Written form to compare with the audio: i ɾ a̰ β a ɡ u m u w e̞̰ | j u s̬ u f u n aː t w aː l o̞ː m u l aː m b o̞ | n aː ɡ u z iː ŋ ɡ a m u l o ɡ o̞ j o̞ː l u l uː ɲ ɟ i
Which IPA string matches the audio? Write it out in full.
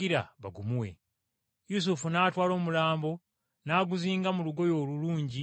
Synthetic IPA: i ɾ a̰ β a ɡ u m u w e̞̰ | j u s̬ u f u n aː t w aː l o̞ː m u l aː m b o̞ | n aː ɡ u z iː ŋ ɡ a m u l u ɡ o̞ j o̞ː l u l uː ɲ ɟ i